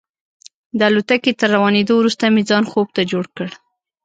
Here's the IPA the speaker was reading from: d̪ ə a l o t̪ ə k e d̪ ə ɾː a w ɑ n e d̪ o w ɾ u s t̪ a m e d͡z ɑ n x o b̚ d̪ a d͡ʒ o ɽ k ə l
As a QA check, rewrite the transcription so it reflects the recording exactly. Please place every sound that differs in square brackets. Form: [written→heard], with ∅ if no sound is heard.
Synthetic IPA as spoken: d̪ ə a l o t̪ [ə→a] k e [d̪→t̪] ə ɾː a w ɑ n e d̪ o w ɾ u s t̪ a m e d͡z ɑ n x o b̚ [d̪→t̪] a d͡ʒ o ɽ k ə [l→ɽ]